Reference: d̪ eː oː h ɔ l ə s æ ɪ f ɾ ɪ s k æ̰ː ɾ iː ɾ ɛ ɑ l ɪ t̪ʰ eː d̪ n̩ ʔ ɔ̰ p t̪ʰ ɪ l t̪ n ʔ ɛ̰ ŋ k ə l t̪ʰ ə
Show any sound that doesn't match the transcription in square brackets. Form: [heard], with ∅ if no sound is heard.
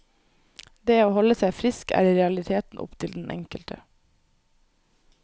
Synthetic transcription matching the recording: d̪ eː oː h ɔ l ə s æ ɪ f ɾ ɪ s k æ̰ː ɾ iː ɾ ɛ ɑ l ɪ t̪ʰ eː [t̪] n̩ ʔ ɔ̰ p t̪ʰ ɪ l [d̪] n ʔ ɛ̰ ŋ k ə l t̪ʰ ə